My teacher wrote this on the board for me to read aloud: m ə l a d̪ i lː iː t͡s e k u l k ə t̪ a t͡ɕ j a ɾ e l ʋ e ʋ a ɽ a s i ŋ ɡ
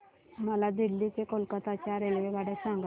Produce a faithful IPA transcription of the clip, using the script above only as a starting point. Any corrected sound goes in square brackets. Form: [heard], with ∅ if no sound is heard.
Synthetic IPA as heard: m ə l a d̪ i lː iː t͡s e k [o] l k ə t̪ a t͡ɕ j a ɾ e l ʋ e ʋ a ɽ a s [a] ŋ ɡ